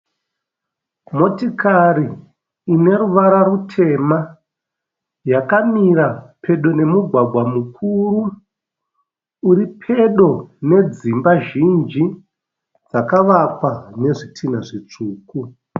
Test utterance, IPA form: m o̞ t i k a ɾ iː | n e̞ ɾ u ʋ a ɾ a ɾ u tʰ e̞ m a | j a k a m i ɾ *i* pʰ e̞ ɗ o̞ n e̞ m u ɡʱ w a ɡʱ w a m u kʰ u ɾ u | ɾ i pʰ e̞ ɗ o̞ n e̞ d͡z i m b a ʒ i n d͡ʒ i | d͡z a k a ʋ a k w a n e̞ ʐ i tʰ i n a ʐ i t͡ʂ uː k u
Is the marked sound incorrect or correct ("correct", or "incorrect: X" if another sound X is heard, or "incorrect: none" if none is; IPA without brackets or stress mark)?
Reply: incorrect: a